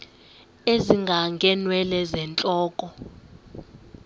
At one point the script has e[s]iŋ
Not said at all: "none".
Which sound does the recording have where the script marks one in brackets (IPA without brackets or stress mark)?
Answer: z